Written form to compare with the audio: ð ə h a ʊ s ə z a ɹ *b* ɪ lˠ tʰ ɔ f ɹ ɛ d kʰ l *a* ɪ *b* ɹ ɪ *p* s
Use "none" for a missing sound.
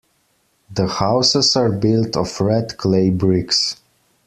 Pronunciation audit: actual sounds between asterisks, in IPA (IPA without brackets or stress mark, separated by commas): b, e, b, k